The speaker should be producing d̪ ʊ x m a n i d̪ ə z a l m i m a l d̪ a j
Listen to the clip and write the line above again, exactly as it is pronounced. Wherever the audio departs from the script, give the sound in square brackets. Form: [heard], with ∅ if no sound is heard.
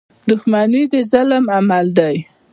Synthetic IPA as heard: d̪ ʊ x m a n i d̪ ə z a l m [a] m a l d̪ a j